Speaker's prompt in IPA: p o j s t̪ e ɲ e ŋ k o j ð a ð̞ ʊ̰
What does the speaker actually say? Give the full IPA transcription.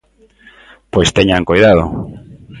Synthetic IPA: p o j s t̪ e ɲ a ŋ k o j ð a ð̞ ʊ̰